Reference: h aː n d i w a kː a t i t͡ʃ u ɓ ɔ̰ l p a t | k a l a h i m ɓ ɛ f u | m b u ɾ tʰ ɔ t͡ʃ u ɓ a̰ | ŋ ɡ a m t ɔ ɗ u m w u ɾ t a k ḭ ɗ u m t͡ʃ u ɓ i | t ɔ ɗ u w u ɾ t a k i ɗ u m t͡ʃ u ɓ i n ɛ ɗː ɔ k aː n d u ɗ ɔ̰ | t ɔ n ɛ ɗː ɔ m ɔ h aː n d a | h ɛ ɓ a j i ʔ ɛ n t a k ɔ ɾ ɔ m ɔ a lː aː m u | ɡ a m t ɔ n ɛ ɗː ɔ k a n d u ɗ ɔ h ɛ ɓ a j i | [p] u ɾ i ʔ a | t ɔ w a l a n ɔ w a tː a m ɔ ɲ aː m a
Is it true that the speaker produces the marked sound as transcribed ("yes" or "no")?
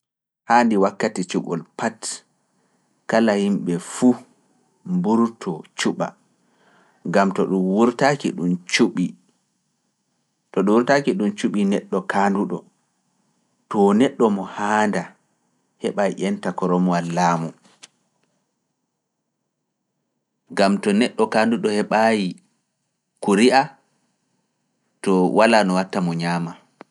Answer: no